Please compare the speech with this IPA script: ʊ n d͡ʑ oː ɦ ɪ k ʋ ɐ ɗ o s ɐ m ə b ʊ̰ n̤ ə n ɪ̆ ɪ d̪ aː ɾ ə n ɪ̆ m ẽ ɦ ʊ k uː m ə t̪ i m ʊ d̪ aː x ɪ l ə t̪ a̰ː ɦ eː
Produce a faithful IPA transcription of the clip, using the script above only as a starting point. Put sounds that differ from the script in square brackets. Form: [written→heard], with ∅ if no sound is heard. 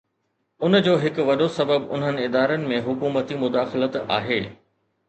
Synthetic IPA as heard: ʊ n d͡ʑ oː ɦ ɪ k ʋ ɐ ɗ o s ɐ [m→b] ə b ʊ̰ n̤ ə n ɪ̆ ɪ d̪ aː ɾ ə n ɪ̆ m ẽ ɦ ʊ k uː m ə t̪ i m ʊ d̪ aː x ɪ l ə t̪ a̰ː ɦ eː